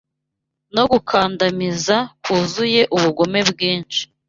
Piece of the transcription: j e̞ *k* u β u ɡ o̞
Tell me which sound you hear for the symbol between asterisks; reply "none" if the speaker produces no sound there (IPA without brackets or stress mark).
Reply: ʔ